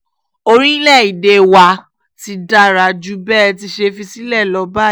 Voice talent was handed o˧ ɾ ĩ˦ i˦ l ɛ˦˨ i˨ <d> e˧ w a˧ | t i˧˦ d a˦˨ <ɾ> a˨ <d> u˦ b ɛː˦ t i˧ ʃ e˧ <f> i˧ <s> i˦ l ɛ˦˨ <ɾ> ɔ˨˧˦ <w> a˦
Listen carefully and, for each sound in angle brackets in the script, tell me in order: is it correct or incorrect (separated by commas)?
correct, correct, incorrect, correct, correct, incorrect, incorrect